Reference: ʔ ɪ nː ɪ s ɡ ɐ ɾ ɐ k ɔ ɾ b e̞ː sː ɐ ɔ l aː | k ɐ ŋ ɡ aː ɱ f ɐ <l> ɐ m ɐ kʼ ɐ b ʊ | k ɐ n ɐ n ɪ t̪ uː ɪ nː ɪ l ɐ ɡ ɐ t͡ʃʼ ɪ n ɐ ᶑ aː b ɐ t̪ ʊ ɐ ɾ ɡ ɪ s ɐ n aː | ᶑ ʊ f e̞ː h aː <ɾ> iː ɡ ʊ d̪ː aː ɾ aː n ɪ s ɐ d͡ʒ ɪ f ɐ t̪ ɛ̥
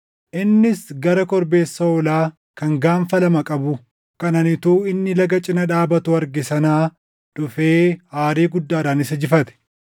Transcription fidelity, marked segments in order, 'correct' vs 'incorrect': correct, correct

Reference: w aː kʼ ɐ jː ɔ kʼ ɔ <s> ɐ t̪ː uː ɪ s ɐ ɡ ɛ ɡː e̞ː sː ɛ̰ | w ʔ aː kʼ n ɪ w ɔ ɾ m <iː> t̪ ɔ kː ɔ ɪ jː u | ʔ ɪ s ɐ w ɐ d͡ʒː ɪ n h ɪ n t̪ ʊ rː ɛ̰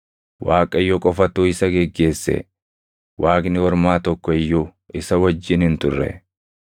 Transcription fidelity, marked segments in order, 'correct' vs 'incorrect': incorrect: f, incorrect: aː

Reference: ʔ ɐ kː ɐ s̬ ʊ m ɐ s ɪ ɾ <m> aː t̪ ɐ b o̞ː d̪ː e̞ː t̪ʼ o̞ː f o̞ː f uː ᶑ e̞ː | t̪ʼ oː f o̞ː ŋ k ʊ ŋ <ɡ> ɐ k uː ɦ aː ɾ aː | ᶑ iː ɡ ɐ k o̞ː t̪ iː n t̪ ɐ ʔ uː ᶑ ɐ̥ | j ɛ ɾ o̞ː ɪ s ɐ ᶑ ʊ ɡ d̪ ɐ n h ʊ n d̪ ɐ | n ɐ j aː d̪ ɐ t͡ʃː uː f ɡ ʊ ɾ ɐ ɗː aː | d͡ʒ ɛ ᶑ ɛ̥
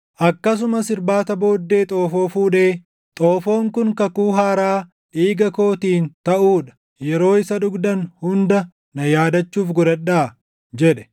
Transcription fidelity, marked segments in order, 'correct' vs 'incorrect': incorrect: b, incorrect: k

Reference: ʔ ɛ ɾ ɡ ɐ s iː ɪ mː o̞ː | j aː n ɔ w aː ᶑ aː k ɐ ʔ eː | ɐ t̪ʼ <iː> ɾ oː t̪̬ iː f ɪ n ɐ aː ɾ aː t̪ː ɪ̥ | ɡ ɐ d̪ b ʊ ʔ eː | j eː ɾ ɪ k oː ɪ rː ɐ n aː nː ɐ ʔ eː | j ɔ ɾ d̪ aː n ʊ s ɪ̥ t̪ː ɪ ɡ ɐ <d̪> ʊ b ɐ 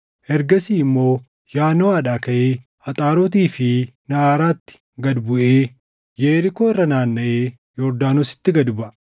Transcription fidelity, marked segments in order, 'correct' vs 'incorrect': incorrect: aː, correct

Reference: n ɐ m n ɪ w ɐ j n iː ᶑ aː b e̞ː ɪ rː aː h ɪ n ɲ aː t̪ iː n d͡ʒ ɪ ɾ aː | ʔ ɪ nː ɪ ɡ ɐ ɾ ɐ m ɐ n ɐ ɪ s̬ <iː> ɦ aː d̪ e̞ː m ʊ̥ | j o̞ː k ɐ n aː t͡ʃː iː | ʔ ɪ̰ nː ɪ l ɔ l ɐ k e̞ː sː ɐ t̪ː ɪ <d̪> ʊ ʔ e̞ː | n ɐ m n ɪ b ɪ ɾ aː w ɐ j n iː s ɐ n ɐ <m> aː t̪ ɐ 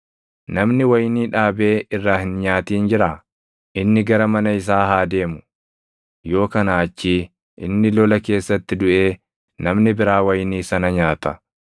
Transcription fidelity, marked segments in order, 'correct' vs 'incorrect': incorrect: aː, correct, incorrect: ɲ

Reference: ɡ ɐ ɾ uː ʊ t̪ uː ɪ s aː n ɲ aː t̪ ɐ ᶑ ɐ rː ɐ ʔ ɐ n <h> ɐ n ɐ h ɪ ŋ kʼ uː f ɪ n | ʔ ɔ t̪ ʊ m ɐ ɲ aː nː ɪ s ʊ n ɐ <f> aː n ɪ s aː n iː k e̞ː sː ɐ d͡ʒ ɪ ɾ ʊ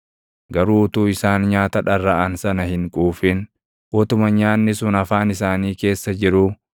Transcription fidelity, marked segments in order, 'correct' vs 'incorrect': incorrect: s, correct

